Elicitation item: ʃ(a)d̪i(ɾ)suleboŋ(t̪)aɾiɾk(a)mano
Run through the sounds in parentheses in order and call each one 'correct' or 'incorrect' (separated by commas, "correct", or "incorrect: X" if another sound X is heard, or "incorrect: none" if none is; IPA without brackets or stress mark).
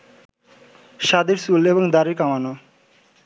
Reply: correct, correct, incorrect: d̪, correct